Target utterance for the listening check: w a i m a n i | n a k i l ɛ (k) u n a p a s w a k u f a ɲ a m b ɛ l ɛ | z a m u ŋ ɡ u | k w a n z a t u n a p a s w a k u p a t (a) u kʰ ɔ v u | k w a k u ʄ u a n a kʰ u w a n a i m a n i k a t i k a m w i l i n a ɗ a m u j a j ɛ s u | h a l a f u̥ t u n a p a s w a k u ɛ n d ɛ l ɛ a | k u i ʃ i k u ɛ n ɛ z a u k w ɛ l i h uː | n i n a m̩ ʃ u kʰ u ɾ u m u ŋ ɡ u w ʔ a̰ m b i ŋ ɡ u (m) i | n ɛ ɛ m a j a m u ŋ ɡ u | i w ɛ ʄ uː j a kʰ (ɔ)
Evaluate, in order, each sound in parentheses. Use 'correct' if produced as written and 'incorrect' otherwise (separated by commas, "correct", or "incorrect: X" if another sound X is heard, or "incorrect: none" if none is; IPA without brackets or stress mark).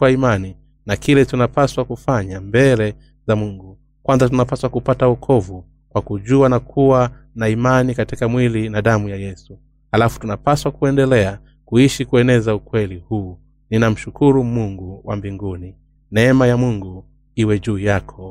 incorrect: t, correct, incorrect: n, correct